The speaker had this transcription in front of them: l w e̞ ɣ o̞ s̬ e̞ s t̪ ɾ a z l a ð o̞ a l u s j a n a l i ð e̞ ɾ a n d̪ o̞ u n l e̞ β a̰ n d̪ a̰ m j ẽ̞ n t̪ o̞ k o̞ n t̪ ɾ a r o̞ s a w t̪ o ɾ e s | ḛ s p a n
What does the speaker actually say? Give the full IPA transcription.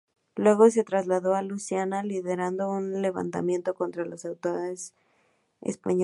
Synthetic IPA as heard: l w e̞ ɣ o̞ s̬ e̞ t̪ ɾ a z l a ð o̞ a l u s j a n a l i ð e̞ ɾ a n d̪ o̞ u n l e̞ β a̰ n t̪ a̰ m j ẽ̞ n t̪ o̞ k o̞ n t̪ ɾ a l o̞ s a w t̪ o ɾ e s | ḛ s p a ɲ